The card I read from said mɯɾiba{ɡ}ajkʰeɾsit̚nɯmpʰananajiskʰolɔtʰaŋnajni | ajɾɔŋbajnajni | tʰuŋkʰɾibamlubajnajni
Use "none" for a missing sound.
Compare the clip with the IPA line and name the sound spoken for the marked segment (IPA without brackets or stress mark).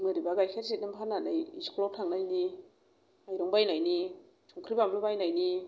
ɡ